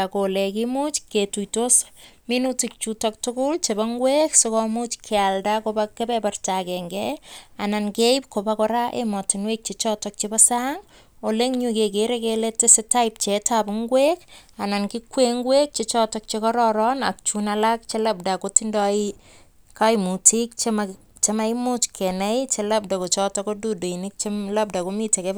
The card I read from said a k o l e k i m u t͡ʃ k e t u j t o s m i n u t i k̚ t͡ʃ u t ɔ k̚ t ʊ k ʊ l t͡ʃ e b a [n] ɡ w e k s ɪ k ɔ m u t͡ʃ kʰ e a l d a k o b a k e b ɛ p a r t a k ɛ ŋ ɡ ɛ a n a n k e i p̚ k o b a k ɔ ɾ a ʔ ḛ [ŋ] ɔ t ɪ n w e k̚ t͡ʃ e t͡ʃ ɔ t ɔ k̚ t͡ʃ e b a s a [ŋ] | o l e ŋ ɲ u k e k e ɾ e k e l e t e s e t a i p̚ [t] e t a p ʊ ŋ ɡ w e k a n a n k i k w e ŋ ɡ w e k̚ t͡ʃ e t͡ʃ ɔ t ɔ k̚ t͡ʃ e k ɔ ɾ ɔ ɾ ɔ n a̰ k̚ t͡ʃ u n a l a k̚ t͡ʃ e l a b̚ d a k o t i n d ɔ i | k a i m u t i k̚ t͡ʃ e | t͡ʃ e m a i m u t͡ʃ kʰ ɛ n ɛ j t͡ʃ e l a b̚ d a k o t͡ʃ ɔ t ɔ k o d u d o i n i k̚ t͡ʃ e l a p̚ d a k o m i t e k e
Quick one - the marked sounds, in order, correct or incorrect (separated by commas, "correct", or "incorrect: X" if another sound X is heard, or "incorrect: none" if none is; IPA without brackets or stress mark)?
incorrect: ŋ, incorrect: m, correct, incorrect: t͡ʃ